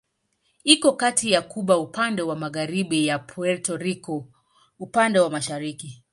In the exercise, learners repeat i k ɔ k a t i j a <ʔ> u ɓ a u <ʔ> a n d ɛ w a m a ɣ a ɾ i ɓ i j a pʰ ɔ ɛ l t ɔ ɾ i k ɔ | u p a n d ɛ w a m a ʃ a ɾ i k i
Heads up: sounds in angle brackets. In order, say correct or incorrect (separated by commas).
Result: incorrect, incorrect